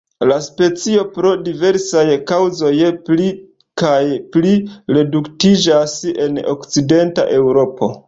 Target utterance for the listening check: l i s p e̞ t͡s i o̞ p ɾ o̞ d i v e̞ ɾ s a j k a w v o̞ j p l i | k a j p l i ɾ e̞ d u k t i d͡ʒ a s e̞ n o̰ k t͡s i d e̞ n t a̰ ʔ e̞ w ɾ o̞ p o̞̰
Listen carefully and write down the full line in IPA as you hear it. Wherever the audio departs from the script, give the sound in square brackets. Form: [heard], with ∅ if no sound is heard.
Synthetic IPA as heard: l [a] s p e̞ t͡s i o̞ p ɾ o̞ d i v e̞ ɾ s a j k a w [z] o̞ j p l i | k a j p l i ɾ e̞ d u k t i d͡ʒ a s e̞ n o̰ k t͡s i d e̞ n t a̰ ʔ e̞ w ɾ o̞ p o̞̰